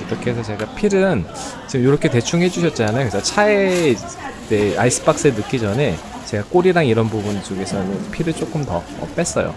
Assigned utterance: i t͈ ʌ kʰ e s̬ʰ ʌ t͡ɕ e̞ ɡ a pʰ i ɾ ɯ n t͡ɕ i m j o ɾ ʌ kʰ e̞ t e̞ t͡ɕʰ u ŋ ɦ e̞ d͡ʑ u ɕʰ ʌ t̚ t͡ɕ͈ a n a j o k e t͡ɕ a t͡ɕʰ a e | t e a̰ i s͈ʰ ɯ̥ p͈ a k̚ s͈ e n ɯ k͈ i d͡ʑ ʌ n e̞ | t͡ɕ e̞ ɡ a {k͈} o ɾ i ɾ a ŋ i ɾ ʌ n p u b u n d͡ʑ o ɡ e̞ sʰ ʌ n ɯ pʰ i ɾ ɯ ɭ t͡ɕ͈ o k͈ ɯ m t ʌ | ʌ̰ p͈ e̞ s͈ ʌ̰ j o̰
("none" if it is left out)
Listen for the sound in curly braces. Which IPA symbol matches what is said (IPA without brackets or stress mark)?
k͈